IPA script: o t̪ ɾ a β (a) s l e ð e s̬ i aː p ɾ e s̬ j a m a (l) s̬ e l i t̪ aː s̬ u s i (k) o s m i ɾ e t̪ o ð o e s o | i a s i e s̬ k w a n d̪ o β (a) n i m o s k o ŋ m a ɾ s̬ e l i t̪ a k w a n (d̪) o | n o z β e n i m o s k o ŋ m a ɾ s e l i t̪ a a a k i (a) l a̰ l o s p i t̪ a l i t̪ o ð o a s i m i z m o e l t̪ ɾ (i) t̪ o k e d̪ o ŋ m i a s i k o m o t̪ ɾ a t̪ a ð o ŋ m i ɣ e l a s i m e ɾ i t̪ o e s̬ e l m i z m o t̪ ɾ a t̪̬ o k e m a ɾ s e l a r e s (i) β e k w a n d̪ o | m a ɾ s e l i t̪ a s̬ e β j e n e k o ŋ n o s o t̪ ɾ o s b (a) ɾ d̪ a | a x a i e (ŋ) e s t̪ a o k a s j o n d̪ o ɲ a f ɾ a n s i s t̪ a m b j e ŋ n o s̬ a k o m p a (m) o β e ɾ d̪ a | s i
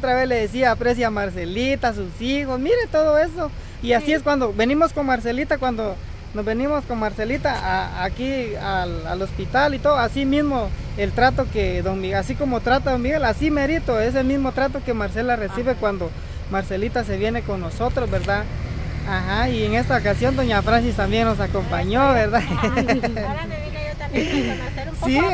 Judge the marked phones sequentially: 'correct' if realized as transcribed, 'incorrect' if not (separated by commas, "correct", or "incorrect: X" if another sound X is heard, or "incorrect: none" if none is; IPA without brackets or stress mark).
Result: incorrect: e, incorrect: ɾ, incorrect: x, incorrect: e, correct, correct, incorrect: a, correct, incorrect: e, correct, incorrect: ɲ